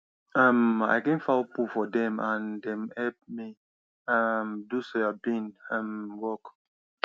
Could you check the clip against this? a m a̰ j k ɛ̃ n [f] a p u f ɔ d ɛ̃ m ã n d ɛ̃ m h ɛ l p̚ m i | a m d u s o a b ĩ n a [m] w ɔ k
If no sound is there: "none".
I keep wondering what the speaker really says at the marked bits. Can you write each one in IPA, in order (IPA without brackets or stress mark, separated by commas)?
f, m